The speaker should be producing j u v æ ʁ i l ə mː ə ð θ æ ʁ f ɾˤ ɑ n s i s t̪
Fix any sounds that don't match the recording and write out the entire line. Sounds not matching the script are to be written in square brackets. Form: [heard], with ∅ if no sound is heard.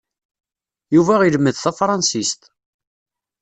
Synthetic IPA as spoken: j u v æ ʁ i l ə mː ə ð θ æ [∅] f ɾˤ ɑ n s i s t̪